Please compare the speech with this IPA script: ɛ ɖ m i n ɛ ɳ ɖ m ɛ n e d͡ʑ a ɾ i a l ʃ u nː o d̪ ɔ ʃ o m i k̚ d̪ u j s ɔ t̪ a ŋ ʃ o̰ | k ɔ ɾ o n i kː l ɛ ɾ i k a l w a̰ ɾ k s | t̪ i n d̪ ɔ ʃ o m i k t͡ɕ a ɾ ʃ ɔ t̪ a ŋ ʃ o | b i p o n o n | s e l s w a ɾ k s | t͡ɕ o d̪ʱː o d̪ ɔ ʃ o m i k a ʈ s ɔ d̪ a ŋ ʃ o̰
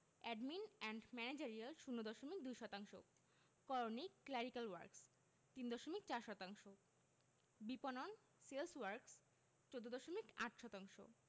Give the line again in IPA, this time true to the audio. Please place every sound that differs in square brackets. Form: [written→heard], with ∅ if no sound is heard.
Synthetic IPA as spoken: ɛ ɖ m i n ɛ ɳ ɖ m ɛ n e d͡ʑ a ɾ i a l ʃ u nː o d̪ ɔ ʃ o m i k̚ d̪ u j [s→ʃ] ɔ t̪ a ŋ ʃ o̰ | k ɔ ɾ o n i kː l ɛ ɾ i k a l w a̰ ɾ k s | t̪ i n d̪ ɔ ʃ o m i k t͡ɕ a ɾ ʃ ɔ t̪ a ŋ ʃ o | b i p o n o n | s e l s w a ɾ k s | t͡ɕ o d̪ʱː o d̪ ɔ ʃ o m i k a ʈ [s→ʃ] ɔ [d̪→t̪] a ŋ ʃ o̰